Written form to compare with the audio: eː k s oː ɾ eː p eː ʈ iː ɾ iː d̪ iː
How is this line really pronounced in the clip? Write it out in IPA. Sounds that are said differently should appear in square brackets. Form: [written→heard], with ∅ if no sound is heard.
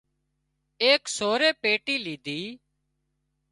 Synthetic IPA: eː k s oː ɾ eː p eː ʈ iː [ɾ→l] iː d̪ iː